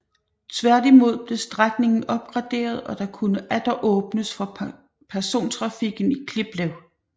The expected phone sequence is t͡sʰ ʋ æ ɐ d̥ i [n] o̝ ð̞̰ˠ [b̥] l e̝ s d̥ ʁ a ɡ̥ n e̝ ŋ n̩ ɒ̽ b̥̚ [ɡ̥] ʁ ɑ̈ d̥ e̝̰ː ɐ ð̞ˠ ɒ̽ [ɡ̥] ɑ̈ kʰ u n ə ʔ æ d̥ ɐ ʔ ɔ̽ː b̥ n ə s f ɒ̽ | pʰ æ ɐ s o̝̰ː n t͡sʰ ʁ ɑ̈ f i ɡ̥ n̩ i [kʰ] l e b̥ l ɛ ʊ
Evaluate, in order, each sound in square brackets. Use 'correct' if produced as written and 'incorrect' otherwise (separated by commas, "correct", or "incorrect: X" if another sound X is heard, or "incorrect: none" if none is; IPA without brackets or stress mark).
incorrect: m, correct, correct, incorrect: d̥, correct